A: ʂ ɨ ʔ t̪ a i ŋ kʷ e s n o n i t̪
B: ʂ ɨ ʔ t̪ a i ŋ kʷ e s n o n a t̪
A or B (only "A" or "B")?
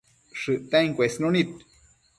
A